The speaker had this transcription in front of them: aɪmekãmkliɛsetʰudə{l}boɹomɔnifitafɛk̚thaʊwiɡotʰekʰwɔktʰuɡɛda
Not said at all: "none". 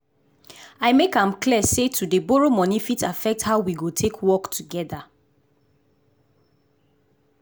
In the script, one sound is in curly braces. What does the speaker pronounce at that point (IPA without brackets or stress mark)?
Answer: none